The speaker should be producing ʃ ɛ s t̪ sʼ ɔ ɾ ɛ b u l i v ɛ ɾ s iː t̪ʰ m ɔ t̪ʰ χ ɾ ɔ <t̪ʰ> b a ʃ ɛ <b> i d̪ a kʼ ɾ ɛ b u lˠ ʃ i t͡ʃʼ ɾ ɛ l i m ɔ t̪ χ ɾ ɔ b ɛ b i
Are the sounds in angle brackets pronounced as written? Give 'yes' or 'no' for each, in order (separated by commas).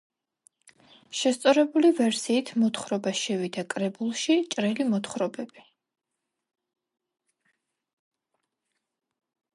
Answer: no, no